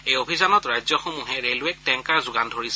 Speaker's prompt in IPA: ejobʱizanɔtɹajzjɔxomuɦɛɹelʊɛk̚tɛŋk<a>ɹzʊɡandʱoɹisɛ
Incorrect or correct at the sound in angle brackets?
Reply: correct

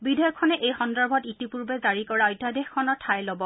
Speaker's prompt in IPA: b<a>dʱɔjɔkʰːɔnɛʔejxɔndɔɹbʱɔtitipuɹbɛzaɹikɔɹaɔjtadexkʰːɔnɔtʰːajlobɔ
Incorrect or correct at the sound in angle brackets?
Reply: incorrect: i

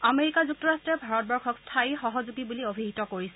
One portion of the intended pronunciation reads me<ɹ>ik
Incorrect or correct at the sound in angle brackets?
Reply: correct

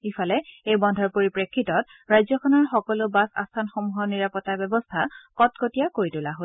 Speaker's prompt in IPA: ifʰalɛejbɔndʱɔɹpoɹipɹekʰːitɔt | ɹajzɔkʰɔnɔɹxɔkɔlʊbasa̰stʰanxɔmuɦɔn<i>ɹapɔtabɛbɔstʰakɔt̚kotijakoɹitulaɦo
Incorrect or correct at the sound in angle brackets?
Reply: correct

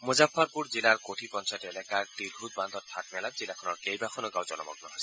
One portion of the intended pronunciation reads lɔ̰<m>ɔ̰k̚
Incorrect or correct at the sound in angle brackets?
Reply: correct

